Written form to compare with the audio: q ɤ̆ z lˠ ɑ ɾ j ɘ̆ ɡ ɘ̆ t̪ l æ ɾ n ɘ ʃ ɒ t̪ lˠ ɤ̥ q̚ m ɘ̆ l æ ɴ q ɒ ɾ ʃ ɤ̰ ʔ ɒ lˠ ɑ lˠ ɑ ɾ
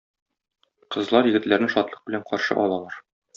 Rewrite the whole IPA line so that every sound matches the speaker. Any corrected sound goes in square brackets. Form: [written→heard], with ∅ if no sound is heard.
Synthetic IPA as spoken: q ɤ̆ z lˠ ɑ ɾ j ɘ̆ ɡ ɘ̆ t̪ l æ ɾ n ɘ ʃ ɒ t̪ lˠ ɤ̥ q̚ [m→b] ɘ̆ l æ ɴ q ɒ ɾ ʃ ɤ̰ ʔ ɒ lˠ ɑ lˠ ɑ ɾ